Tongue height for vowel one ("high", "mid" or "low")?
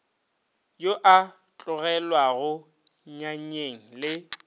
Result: mid